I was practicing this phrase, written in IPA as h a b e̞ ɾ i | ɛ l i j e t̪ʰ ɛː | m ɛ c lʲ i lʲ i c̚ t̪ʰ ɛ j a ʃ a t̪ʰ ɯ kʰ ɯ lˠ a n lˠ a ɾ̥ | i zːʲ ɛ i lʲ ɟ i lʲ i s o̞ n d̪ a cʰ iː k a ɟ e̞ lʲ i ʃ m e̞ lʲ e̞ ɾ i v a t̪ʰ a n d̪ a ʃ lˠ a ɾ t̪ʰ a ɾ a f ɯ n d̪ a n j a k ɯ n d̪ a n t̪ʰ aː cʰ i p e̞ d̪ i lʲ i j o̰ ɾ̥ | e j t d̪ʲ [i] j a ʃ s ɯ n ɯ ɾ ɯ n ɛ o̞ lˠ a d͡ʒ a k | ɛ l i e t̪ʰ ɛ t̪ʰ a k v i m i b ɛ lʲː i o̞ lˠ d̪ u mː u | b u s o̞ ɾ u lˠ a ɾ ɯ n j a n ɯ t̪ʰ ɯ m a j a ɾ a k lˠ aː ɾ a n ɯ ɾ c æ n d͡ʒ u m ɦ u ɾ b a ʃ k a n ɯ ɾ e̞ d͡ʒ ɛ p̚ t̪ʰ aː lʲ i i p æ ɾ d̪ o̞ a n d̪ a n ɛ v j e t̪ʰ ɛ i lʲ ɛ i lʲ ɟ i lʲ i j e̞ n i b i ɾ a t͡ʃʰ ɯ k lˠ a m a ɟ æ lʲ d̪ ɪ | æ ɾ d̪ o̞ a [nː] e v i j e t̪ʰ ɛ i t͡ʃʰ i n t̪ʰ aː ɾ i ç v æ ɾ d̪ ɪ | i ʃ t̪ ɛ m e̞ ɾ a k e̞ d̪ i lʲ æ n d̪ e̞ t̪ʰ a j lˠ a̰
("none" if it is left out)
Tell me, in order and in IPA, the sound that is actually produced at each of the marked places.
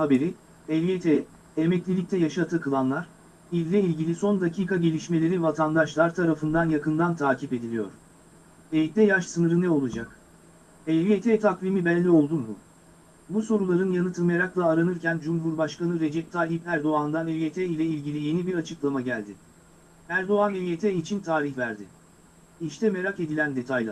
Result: ɛ, n

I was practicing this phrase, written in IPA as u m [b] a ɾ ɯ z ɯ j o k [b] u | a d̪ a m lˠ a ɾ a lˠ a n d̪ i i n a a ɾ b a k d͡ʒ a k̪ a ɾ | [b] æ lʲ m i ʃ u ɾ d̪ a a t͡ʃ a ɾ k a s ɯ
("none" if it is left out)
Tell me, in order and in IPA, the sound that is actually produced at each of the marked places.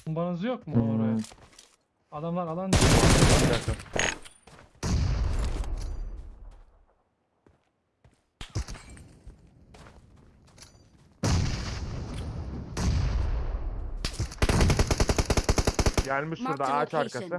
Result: b, m, ɟ

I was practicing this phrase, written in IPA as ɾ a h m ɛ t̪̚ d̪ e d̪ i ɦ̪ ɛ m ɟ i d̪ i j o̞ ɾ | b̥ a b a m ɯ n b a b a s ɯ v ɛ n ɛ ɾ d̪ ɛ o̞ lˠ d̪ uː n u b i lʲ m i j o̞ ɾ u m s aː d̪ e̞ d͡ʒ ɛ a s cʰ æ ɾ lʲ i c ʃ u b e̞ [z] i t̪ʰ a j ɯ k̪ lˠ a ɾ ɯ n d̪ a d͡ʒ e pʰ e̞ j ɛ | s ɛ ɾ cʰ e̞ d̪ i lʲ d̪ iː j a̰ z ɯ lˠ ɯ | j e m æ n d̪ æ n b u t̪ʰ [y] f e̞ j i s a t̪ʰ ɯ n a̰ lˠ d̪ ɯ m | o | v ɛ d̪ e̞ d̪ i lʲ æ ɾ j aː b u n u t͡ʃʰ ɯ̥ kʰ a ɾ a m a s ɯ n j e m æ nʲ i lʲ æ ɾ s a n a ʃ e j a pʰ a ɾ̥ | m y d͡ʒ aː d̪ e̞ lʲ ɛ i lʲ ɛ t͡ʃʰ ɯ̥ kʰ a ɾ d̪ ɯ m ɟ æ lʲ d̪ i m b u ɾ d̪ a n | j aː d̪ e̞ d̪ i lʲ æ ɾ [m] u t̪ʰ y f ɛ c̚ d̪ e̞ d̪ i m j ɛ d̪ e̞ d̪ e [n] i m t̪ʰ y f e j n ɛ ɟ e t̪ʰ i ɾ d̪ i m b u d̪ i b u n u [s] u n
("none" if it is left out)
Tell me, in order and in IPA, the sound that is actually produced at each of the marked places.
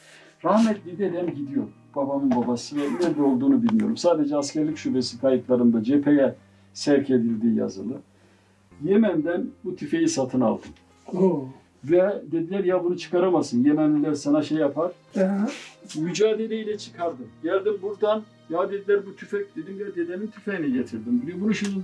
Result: s, y, b, n, ʃ

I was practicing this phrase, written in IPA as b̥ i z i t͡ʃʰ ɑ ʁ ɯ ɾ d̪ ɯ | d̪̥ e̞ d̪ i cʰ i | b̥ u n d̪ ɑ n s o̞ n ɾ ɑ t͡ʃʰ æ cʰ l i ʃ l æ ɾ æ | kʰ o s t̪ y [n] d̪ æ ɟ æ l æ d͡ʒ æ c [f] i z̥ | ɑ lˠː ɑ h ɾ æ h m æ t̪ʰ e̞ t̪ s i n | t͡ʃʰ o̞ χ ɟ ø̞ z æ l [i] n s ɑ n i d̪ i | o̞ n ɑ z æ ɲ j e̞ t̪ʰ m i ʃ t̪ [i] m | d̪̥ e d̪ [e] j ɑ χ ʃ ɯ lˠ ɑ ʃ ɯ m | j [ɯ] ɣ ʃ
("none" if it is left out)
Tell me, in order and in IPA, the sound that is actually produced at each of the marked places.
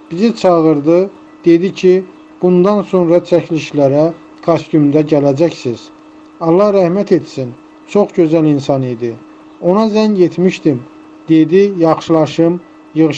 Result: m, s, i, i, i, ɯ

